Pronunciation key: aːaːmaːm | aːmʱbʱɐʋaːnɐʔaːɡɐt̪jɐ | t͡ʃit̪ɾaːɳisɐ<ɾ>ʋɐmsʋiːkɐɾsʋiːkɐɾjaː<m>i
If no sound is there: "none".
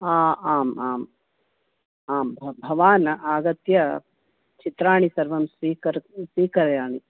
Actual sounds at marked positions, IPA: ɾ, ɳ

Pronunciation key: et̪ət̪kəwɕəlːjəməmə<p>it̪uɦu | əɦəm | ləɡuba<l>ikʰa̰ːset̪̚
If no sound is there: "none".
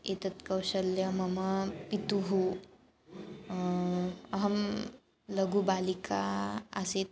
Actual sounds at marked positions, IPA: p, l

